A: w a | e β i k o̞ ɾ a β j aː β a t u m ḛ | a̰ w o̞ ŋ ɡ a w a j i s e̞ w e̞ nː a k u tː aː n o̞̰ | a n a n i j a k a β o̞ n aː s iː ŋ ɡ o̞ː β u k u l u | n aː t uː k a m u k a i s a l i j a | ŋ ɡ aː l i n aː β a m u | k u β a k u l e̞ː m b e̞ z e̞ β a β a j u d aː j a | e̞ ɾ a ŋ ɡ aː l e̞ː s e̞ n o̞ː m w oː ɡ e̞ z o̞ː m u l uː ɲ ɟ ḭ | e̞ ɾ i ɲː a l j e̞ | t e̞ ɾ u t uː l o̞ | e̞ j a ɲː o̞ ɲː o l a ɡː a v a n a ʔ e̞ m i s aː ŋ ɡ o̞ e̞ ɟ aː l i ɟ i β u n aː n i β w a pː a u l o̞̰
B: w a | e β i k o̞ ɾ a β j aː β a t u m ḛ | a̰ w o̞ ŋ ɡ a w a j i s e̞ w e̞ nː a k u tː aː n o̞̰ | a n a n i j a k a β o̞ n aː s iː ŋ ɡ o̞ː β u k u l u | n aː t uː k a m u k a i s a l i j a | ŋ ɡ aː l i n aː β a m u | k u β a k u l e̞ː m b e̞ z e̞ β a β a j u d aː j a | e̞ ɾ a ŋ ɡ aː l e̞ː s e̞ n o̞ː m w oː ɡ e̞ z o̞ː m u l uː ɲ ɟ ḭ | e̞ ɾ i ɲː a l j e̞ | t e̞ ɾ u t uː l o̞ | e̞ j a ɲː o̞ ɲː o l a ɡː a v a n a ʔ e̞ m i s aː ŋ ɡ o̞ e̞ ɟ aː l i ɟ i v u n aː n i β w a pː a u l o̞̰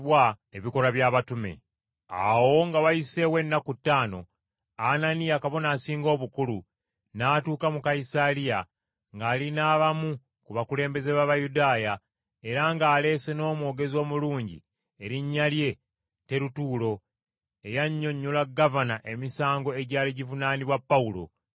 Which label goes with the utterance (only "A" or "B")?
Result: B